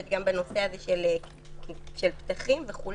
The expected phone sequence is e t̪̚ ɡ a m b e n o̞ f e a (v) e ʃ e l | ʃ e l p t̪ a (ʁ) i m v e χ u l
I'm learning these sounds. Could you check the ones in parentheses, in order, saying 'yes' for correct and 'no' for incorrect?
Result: no, no

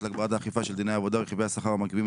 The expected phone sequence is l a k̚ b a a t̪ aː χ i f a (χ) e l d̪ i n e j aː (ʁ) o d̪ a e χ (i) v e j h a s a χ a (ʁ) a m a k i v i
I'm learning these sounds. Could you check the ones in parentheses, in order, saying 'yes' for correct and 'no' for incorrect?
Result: no, no, yes, yes

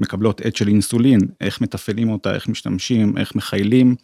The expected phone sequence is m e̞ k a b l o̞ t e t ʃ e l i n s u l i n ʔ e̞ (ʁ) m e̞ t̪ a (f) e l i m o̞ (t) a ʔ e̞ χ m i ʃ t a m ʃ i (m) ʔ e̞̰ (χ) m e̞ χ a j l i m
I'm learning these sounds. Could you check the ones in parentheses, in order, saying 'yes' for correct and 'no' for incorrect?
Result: no, yes, yes, yes, yes

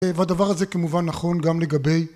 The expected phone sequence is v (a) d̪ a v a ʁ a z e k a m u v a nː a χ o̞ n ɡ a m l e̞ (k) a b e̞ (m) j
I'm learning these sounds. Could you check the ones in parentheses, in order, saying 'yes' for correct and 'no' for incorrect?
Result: yes, no, no

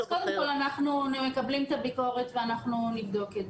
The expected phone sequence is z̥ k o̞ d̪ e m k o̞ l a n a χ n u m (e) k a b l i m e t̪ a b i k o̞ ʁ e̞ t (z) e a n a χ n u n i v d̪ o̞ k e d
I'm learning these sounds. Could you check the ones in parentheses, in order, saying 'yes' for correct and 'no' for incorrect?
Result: yes, no

